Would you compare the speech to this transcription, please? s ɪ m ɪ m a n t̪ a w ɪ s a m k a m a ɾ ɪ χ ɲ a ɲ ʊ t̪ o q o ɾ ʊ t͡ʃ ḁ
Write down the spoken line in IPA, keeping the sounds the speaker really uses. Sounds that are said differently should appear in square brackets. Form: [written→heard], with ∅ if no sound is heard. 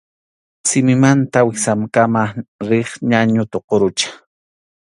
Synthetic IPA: s ɪ m ɪ m a n t̪ a w ɪ s a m k a m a ɾ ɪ χ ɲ a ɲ ʊ t̪ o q o ɾ ʊ t͡ʃ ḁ